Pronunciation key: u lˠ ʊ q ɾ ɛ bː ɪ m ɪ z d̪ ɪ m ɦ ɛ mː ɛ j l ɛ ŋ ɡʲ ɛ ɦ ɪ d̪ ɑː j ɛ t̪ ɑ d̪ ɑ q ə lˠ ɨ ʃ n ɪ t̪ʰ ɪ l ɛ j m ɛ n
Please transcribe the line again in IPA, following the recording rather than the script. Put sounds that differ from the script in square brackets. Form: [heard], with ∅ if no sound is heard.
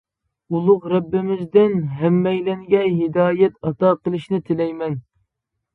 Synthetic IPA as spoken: u lˠ ʊ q ɾ ɛ bː ɪ m ɪ z d̪ ɪ [n] ɦ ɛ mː ɛ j l ɛ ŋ ɡʲ ɛ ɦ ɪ d̪ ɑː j ɛ t̪ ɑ [t̪] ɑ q ə lˠ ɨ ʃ n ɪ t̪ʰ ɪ l ɛ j m ɛ n